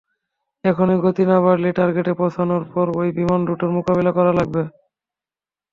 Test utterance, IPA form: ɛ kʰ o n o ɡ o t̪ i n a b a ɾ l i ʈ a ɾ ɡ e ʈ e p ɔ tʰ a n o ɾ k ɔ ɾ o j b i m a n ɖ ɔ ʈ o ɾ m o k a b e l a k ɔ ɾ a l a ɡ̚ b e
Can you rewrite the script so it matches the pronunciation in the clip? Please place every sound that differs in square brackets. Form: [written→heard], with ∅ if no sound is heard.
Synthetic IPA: ɛ kʰ o n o ɡ o t̪ i n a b a ɾ l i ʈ a ɾ ɡ e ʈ e p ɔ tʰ a n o ɾ [k→p] ɔ ɾ o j b i m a n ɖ [ɔ→u] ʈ o ɾ m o k a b e l a k ɔ ɾ a l a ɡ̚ b e